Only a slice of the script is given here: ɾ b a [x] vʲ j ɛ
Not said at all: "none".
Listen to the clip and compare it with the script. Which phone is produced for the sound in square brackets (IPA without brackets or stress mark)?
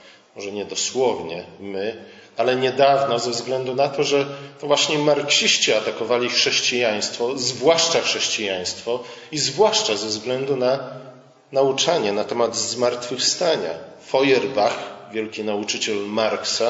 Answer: x